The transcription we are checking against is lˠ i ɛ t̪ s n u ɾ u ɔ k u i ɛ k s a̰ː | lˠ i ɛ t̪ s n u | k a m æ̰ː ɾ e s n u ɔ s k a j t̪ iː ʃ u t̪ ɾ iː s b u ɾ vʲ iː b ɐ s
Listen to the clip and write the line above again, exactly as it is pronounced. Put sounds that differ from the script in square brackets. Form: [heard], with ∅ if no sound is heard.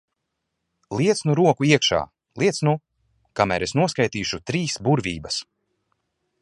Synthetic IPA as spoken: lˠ i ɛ t̪ s n u ɾ u ɔ k u i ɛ k [ʃ] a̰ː | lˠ i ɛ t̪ s n u | k a m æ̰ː ɾ e s n u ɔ s k a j t̪ iː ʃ u t̪ ɾ iː s b u ɾ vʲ iː b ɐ s